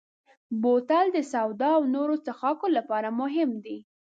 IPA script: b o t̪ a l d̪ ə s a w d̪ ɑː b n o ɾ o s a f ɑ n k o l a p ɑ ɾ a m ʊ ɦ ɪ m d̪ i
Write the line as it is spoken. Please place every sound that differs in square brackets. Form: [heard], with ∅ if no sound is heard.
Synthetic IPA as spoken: b o t̪ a l d̪ ə s a w d̪ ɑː [w] n o ɾ o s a [x] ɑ [∅] k o l a p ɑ ɾ a m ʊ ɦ ɪ m d̪ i